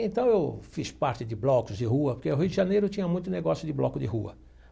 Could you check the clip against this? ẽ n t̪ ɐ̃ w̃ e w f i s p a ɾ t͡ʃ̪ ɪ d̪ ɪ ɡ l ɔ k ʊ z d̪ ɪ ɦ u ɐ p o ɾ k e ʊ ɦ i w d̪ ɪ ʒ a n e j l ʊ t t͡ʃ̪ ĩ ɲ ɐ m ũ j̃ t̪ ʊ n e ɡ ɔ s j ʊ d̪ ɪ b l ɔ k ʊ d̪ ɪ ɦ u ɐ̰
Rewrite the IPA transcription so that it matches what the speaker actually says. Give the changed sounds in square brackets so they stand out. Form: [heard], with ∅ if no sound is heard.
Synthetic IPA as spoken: ẽ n t̪ ɐ̃ w̃ e w f i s p a ɾ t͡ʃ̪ ɪ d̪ ɪ [b] l ɔ k ʊ z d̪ ɪ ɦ u ɐ p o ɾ k e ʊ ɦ i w d̪ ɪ ʒ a n e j [ɾ] ʊ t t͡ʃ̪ ĩ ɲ ɐ m ũ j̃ t̪ ʊ n e ɡ ɔ s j ʊ d̪ ɪ b l ɔ k ʊ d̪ ɪ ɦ u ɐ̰